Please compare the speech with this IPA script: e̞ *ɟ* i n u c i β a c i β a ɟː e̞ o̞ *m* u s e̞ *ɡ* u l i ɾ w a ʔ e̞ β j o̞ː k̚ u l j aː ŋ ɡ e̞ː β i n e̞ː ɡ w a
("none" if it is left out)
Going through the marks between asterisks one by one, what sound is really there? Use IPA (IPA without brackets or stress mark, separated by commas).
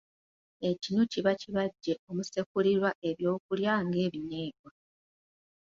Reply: c, m, k